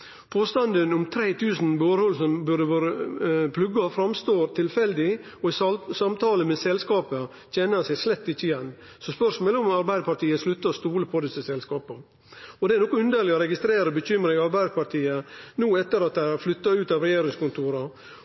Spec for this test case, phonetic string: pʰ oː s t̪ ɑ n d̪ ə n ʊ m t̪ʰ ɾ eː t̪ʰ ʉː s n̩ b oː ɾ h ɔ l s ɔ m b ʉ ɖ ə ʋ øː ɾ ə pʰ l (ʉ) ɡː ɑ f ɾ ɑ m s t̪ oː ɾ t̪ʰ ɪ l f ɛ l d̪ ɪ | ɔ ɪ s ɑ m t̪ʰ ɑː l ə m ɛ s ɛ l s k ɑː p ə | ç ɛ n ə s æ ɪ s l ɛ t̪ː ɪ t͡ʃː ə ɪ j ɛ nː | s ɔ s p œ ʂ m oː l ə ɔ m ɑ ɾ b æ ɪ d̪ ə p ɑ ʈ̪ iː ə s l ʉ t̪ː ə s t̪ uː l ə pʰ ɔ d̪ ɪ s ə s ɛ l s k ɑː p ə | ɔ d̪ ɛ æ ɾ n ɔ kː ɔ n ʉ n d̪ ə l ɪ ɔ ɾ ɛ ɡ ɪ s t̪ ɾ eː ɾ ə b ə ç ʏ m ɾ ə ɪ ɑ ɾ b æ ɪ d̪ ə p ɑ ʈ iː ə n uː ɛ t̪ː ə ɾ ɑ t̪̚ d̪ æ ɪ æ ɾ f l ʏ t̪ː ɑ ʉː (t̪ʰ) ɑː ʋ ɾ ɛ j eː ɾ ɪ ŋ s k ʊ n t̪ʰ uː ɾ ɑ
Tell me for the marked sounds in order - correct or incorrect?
correct, incorrect: t̪

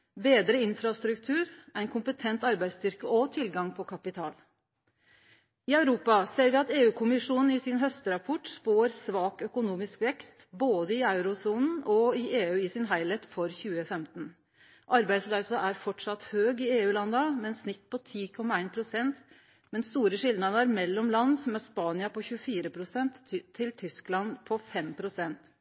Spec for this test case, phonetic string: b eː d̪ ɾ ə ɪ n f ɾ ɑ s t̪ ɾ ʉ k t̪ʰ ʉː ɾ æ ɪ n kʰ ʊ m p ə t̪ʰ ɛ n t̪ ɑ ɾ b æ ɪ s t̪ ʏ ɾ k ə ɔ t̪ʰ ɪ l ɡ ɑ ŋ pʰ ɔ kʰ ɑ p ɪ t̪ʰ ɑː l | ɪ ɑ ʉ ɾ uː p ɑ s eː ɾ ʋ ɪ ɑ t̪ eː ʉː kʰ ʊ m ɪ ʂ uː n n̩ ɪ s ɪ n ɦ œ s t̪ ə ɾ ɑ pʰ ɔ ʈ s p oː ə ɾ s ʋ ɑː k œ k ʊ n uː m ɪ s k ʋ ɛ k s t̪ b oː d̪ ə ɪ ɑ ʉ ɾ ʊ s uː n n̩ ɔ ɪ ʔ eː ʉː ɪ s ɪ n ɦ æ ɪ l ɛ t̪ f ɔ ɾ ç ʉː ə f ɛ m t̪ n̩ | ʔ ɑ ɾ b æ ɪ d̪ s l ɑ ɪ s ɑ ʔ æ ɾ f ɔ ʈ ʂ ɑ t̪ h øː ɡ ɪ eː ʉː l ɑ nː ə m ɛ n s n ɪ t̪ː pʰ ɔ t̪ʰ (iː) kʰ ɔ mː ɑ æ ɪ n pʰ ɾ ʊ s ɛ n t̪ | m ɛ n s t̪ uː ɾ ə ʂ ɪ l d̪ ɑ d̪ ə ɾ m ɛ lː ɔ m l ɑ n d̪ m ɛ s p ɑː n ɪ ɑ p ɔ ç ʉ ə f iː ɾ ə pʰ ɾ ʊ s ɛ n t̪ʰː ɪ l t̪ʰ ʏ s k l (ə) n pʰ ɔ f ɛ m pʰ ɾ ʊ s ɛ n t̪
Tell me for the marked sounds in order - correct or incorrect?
correct, incorrect: ɑ

